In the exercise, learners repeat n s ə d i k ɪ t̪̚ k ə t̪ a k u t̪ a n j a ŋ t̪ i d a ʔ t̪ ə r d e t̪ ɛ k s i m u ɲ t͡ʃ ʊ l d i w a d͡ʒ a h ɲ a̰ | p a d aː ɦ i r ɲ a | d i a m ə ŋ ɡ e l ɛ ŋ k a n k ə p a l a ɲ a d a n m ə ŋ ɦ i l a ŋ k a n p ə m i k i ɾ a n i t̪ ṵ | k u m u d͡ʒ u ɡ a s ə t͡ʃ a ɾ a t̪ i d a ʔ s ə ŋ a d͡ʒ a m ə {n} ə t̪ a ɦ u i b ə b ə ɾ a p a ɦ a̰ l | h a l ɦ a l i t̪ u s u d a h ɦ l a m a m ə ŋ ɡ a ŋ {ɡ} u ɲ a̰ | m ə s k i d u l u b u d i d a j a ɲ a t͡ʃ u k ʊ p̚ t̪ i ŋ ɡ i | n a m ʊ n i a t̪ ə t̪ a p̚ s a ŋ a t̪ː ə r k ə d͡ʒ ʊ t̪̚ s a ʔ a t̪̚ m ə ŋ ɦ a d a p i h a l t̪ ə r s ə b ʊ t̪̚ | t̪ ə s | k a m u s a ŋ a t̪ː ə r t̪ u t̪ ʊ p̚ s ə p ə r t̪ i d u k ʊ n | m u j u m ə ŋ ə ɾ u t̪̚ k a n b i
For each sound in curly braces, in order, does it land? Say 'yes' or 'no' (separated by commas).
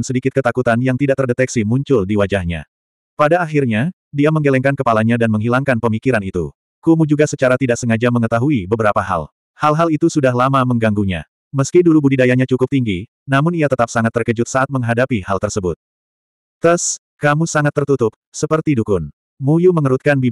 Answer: no, yes